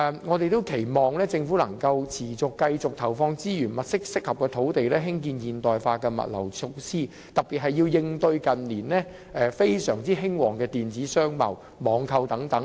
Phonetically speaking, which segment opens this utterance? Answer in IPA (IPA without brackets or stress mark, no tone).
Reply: ŋ